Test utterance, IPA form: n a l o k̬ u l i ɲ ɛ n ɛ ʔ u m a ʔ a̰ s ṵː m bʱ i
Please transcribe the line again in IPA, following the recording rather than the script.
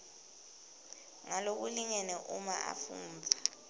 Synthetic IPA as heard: ŋ a l o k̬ u l i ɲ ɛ n ɛ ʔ u m a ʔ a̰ f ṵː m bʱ a